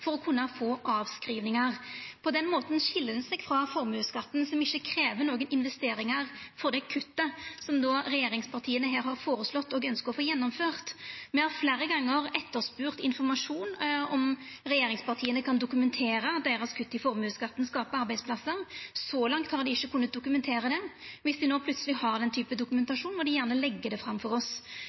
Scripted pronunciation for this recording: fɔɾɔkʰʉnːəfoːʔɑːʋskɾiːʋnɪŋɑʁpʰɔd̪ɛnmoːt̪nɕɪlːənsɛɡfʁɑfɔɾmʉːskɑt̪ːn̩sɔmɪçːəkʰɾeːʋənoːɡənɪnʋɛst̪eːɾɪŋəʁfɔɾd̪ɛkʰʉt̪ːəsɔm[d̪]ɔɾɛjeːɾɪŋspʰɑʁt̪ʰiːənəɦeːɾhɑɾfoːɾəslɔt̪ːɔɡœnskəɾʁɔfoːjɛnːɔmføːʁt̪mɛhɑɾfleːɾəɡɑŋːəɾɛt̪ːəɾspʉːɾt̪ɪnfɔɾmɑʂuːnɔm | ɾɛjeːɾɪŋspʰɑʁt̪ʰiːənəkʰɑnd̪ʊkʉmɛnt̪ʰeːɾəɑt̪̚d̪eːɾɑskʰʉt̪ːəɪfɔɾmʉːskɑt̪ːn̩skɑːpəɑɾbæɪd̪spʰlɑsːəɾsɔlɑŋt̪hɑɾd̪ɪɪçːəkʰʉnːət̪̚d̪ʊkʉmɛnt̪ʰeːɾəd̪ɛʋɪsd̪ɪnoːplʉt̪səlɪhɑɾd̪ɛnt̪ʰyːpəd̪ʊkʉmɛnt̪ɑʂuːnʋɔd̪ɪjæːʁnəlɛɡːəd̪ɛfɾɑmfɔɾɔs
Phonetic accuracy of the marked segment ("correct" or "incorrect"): correct